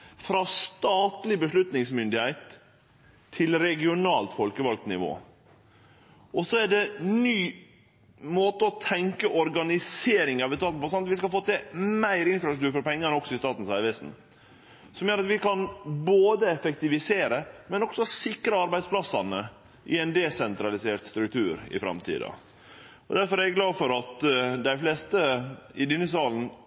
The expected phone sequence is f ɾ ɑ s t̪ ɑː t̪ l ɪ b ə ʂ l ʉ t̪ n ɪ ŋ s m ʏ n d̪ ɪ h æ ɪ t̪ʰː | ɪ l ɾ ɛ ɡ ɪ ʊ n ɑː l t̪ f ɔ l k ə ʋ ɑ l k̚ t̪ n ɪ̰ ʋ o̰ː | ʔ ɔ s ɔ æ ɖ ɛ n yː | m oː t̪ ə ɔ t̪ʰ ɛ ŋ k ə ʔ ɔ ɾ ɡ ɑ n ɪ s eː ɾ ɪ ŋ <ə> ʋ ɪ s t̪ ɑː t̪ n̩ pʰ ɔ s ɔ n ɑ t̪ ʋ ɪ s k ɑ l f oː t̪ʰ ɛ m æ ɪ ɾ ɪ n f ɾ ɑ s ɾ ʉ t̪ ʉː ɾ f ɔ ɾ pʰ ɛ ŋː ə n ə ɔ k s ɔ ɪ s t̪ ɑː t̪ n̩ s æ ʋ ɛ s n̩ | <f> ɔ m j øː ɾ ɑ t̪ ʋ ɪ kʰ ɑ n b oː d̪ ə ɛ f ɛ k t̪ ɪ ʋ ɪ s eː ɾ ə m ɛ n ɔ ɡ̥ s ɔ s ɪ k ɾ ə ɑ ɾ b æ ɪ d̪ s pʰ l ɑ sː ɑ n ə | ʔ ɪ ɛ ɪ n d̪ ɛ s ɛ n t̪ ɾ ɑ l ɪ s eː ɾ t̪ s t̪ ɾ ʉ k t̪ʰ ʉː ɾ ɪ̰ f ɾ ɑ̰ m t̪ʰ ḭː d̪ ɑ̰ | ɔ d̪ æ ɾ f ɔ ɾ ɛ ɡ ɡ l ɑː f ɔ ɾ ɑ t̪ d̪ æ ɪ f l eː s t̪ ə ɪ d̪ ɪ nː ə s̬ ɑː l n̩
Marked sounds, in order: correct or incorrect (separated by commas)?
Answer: incorrect, incorrect